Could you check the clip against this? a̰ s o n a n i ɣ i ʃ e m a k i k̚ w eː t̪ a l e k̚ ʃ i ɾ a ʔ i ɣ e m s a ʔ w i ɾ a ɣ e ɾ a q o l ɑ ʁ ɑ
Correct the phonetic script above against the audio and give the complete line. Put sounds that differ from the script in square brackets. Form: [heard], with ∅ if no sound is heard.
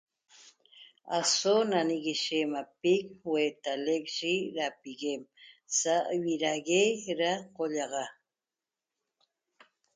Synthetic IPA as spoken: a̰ s o n a n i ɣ i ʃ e m a [p] i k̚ w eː t̪ a l e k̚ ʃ i ɾ a [p] i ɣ e m s a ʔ w i ɾ a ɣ e ɾ a q o [ʎ] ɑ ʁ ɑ